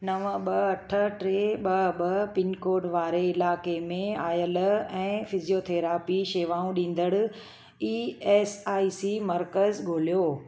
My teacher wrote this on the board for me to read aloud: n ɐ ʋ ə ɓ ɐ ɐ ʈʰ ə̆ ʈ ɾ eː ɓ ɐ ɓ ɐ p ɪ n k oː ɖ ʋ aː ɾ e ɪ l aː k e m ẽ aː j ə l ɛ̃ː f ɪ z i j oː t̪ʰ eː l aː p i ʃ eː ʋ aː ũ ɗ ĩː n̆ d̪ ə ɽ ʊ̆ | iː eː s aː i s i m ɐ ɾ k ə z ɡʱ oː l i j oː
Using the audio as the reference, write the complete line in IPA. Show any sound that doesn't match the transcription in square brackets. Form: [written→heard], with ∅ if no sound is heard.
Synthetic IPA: n ɐ ʋ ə ɓ ɐ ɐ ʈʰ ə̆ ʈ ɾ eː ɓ ɐ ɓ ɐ p ɪ n k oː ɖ ʋ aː ɾ e ɪ l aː k e m ẽ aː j ə l ɛ̃ː f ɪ z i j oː t̪ʰ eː [l→ɾ] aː p i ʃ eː ʋ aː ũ ɗ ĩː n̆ d̪ ə ɽ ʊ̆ | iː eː s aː i s i m ɐ ɾ k ə z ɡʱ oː l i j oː